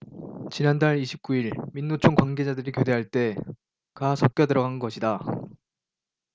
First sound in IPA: t͡ɕ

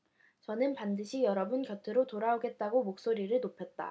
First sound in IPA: t͡ɕ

